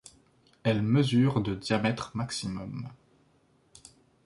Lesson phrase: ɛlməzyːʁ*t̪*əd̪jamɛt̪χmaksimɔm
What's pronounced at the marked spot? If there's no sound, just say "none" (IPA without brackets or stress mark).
d̪